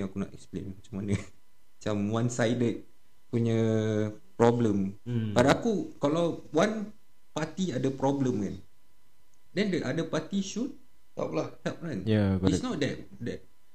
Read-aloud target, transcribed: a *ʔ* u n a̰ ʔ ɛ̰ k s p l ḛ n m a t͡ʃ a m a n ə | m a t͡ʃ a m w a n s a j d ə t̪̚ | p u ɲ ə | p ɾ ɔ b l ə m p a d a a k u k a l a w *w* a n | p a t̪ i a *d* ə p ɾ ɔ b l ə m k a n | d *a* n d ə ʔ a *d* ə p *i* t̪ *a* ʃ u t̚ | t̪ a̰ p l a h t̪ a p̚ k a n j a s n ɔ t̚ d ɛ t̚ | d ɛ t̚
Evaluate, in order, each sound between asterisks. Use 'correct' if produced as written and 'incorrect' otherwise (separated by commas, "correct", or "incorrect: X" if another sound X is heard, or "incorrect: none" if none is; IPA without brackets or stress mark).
incorrect: k, correct, correct, incorrect: ɛ, correct, incorrect: a, incorrect: i